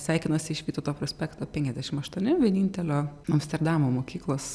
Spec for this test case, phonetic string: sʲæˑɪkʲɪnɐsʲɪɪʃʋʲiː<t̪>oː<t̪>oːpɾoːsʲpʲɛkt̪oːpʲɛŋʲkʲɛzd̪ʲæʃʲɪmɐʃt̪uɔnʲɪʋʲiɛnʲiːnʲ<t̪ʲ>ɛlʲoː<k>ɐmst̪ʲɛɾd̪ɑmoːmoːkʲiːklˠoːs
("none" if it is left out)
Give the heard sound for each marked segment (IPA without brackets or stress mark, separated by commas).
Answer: t̪, t̪, t̪ʲ, none